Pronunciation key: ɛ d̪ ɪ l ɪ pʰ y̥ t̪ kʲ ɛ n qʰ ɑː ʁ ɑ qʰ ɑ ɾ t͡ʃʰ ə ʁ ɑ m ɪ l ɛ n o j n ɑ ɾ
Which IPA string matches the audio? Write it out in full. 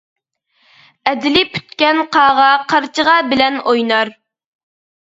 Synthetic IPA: ɛ d̪ ɪ l ɪ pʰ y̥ t̪ kʲ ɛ n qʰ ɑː ʁ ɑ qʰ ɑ ɾ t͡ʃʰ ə ʁ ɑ b ɪ l ɛ n o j n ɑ ɾ